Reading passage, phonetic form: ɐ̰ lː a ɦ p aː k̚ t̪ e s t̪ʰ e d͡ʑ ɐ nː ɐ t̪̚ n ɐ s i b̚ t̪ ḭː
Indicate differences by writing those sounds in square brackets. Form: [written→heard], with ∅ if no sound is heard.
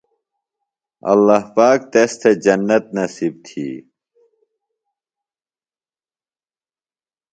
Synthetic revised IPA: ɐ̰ lː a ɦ p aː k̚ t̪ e s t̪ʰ e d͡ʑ ɐ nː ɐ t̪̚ n ɐ s i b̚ [t̪→t̪ʰ] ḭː